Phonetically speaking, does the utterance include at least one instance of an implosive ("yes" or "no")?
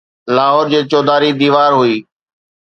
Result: no